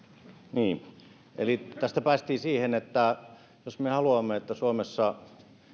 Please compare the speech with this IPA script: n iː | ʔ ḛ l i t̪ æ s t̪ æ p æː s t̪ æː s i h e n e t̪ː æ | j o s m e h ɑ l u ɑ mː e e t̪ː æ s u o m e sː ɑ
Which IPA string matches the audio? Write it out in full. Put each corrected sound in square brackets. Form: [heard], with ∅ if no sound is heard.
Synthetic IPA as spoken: n iː | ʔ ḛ l i t̪ æ s t̪ æ p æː s t̪ [iː] s [iː] h e n e t̪ː æ | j o s m e h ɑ l u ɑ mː e e t̪ː æ s u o m e sː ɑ